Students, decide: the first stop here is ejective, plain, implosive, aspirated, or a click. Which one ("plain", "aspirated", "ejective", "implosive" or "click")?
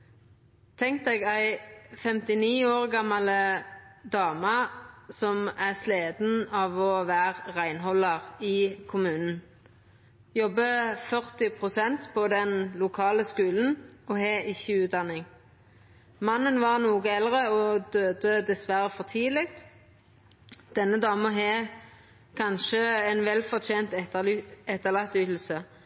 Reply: aspirated